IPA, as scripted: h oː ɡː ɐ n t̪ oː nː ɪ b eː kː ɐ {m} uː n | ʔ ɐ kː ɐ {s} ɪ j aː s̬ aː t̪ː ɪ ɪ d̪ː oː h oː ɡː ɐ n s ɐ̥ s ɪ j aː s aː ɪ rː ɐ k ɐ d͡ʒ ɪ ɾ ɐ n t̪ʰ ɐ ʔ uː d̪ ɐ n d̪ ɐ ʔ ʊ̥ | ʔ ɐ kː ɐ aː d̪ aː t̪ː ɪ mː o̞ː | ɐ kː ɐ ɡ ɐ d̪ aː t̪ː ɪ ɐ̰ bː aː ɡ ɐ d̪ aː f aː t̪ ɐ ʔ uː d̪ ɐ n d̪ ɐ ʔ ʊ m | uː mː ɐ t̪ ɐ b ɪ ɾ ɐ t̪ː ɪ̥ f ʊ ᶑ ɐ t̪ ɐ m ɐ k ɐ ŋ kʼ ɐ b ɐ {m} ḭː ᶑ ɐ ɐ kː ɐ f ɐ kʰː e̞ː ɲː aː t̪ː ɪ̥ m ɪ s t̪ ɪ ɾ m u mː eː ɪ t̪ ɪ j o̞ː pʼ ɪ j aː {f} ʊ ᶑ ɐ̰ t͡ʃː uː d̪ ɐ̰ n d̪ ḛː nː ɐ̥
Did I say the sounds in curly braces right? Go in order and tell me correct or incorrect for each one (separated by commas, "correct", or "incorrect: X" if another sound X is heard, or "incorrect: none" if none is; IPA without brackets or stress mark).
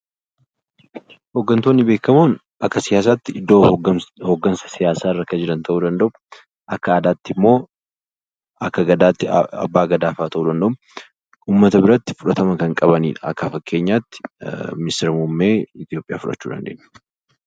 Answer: correct, correct, incorrect: n, correct